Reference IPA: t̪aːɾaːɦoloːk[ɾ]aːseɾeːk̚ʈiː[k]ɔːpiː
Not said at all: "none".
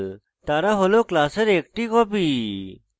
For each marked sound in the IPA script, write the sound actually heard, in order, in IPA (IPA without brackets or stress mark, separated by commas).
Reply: l, k